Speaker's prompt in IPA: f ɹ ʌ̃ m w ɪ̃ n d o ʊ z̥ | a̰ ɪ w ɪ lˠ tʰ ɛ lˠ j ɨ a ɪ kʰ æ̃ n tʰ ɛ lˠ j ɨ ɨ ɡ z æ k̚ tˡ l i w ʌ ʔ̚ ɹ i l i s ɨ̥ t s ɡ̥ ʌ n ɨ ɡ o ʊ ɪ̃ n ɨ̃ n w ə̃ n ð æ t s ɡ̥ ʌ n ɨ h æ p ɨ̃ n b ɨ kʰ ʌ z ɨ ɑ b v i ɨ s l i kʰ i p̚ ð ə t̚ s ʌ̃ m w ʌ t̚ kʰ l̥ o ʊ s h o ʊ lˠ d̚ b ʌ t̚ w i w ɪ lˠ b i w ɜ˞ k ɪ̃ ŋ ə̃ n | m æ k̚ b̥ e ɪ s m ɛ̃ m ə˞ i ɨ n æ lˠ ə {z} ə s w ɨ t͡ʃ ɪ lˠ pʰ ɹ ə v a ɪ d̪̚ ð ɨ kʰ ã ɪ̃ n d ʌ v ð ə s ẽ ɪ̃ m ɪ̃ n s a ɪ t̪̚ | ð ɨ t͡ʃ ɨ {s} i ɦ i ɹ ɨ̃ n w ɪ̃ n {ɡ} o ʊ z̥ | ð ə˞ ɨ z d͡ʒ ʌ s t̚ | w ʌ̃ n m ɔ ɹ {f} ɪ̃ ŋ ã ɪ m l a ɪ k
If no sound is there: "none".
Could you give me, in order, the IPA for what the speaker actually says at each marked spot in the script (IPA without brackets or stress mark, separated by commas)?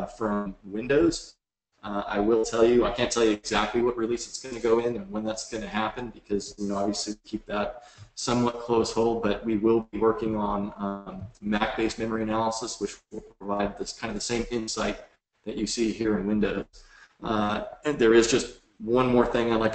s, s, d, θ